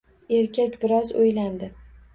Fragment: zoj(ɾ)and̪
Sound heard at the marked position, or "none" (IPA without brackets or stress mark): l